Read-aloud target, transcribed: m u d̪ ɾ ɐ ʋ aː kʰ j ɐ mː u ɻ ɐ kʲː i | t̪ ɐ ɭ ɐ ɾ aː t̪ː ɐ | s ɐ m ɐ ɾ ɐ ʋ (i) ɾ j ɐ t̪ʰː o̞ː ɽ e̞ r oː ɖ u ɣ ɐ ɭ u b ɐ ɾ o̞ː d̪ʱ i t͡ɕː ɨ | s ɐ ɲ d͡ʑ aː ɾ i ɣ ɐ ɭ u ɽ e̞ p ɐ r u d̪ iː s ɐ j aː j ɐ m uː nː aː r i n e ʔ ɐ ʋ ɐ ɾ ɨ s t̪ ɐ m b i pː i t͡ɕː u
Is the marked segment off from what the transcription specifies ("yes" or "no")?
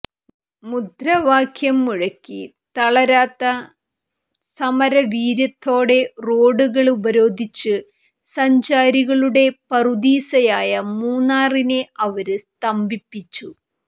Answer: yes